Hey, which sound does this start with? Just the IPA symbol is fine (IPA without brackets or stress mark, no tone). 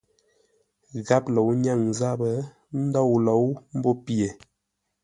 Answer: ɣ